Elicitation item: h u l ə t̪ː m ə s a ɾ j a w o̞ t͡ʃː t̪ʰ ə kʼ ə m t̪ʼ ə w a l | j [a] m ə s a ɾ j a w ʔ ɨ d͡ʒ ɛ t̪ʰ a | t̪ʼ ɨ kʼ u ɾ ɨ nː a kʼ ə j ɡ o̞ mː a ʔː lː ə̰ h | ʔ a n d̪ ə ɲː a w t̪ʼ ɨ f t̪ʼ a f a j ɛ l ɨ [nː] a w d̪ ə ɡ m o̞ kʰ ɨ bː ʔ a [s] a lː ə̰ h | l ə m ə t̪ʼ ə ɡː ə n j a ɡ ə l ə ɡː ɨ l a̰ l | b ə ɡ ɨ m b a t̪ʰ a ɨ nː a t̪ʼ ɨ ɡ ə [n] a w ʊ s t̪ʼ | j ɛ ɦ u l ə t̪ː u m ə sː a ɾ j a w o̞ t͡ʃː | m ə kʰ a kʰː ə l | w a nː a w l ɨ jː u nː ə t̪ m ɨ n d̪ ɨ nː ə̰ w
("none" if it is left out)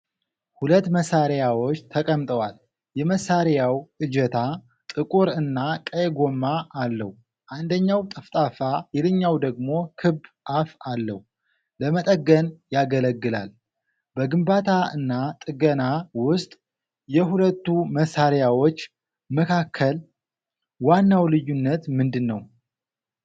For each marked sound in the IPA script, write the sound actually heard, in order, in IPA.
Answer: ɛ, ɲː, f, n

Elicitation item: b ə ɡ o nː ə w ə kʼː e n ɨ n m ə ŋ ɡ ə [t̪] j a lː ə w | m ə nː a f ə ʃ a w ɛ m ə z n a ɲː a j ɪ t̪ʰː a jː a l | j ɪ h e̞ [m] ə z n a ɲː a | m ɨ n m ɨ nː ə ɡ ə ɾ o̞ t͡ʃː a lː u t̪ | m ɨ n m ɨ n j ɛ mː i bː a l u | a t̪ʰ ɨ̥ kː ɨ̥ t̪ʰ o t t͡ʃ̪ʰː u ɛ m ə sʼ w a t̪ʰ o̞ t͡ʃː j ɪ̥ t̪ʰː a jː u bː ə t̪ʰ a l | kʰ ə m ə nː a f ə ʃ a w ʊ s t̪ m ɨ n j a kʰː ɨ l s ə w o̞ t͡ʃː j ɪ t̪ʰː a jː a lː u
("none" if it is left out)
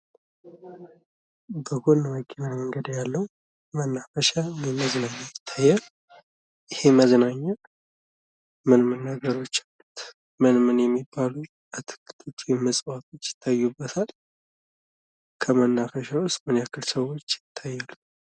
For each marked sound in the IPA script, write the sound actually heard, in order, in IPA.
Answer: d̪, m

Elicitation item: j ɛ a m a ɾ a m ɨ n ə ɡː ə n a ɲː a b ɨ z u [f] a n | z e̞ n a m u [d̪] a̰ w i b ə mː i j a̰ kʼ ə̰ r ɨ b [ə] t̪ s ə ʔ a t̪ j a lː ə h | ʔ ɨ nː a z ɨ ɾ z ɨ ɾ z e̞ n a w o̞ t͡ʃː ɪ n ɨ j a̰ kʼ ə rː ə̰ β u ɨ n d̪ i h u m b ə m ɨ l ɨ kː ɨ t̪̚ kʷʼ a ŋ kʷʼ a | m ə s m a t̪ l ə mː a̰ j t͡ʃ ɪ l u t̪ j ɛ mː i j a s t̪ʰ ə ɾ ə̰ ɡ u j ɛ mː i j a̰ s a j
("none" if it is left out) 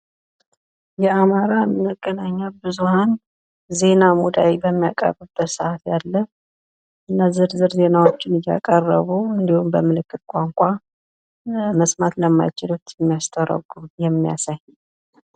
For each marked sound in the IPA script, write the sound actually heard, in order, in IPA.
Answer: h, d̪, ə

